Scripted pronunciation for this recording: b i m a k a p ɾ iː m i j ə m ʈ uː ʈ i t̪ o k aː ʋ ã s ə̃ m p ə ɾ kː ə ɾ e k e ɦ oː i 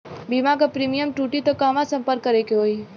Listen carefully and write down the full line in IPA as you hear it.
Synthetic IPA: b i m a k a p ɾ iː m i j ə m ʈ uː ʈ i t̪ o k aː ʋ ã s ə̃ m p ə ɾ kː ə ɾ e k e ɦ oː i